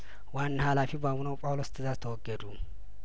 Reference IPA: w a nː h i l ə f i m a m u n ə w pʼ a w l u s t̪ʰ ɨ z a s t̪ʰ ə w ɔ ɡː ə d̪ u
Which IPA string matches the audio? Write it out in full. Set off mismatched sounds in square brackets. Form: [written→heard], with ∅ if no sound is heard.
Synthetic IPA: w a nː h [i→a] l [ə→a] f i [m→b] a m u n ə w pʼ a w l [u→o] s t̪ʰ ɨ z a [s→z] t̪ʰ ə w ɔ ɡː ə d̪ u